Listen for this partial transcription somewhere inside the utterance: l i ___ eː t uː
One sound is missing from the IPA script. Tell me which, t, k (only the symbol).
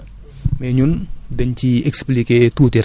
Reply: k